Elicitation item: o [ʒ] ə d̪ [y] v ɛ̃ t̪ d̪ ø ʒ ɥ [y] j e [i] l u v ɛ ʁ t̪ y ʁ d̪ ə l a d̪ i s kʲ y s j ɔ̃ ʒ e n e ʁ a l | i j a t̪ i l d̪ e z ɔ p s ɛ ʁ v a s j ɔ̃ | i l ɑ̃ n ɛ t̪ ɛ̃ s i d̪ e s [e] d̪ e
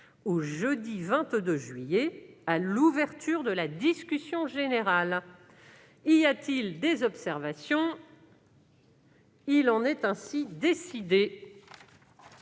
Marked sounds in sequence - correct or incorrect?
correct, incorrect, incorrect, incorrect, incorrect

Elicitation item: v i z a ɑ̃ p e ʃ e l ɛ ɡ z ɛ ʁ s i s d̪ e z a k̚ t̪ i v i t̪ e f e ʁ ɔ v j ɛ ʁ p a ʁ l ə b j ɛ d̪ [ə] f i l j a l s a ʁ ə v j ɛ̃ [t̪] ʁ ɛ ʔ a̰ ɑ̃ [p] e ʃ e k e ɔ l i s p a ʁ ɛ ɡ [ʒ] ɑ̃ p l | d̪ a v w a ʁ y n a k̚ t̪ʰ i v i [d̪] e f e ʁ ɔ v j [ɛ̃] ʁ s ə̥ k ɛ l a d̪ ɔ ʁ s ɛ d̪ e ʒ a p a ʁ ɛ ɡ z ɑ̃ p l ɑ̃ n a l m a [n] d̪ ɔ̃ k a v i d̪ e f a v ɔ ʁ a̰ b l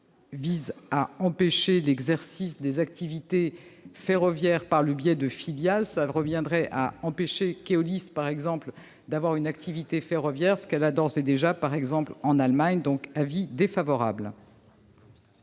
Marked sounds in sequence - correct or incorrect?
correct, incorrect, correct, incorrect, incorrect, incorrect, incorrect

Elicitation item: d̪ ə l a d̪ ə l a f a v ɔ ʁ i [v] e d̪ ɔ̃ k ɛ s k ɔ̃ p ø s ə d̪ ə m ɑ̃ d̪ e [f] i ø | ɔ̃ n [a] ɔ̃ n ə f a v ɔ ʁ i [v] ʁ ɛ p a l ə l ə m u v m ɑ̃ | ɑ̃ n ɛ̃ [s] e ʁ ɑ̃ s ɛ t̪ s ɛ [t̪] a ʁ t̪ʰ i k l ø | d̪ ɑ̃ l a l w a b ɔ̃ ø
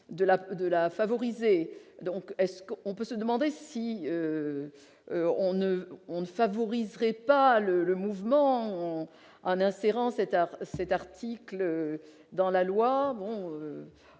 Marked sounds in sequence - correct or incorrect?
incorrect, incorrect, incorrect, incorrect, correct, correct

